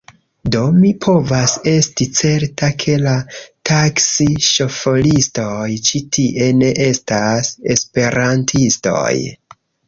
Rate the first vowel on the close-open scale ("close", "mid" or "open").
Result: mid